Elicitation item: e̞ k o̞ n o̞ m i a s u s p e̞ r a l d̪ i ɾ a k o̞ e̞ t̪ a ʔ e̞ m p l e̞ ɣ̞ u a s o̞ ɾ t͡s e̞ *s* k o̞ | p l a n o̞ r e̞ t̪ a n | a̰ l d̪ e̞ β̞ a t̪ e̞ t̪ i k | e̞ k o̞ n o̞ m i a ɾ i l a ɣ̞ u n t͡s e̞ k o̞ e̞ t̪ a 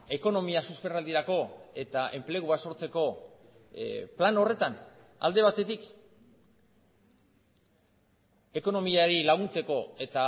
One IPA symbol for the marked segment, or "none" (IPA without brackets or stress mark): none